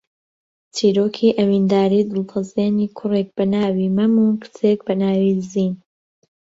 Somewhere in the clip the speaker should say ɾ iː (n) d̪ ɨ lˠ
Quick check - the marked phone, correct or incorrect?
incorrect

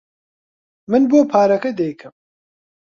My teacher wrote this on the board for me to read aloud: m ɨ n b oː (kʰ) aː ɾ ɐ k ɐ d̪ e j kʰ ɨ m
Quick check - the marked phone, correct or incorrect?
incorrect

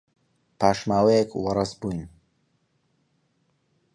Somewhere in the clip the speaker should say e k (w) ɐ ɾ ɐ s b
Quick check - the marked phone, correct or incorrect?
correct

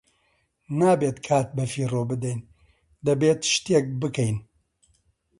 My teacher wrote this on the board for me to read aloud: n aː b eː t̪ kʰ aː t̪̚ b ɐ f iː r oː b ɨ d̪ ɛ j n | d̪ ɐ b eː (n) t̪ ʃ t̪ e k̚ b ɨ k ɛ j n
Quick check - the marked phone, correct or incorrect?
incorrect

